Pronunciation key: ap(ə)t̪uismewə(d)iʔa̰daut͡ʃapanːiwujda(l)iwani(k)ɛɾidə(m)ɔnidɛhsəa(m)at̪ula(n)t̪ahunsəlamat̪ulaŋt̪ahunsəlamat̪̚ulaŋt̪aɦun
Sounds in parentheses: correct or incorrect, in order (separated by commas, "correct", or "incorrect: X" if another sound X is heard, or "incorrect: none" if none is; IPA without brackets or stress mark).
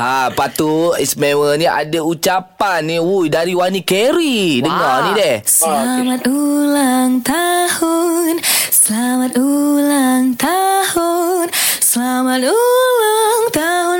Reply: incorrect: a, incorrect: n, incorrect: ɾ, correct, incorrect: ŋ, correct, incorrect: ŋ